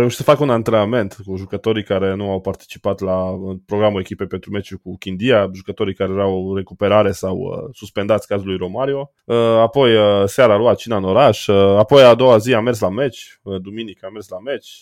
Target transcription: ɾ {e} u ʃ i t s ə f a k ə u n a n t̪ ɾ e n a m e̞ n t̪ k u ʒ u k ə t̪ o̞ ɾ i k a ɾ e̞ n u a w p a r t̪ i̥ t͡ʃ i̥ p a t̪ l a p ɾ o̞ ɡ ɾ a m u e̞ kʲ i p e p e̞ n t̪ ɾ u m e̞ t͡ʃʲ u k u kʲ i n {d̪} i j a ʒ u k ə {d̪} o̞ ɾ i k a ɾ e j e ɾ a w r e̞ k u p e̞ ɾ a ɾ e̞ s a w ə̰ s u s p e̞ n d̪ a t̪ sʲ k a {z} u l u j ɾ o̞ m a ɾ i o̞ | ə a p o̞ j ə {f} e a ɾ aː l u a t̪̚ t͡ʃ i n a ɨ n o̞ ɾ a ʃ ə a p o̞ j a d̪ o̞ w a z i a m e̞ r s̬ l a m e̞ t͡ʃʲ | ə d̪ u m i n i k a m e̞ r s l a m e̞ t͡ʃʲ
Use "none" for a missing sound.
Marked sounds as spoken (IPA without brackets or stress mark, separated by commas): e, d̪, t̪, z, s